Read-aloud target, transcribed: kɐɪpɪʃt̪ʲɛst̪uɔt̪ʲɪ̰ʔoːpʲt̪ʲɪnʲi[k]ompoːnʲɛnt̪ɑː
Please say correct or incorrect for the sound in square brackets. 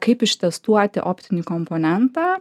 correct